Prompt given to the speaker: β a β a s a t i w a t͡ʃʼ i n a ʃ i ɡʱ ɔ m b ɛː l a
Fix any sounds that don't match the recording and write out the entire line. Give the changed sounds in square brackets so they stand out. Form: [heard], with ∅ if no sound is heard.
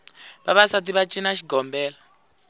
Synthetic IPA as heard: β a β a s a t i [β] a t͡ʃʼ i n a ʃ i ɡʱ ɔ m b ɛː l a